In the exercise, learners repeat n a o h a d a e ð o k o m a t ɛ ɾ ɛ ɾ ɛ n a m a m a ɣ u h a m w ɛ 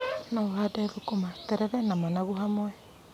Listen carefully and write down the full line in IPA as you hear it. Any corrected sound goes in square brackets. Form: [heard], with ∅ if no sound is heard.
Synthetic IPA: n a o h a d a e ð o k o m a t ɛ ɾ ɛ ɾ ɛ n a m a [n] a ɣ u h a m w ɛ